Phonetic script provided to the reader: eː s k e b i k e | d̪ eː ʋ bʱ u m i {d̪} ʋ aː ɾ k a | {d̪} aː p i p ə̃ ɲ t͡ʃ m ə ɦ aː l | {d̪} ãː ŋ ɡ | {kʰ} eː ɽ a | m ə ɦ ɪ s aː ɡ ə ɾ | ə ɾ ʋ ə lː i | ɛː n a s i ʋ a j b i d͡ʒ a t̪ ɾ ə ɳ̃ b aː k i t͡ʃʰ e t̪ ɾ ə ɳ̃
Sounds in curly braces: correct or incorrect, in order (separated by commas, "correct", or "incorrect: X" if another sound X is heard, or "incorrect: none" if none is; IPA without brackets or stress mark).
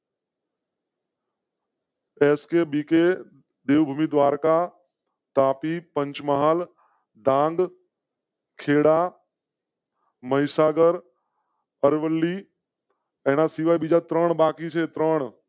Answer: correct, incorrect: t̪, correct, correct